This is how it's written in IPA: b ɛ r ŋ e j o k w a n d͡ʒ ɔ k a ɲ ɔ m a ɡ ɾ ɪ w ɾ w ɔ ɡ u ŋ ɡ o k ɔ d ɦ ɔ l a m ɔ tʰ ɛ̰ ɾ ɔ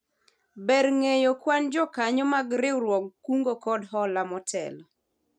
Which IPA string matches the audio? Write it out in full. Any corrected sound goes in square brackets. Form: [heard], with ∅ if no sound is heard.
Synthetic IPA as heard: b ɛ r ŋ e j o k w a n d͡ʒ ɔ k a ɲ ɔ m a ɡ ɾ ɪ w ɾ w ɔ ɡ u ŋ ɡ o k ɔ d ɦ ɔ l a m ɔ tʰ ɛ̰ [l] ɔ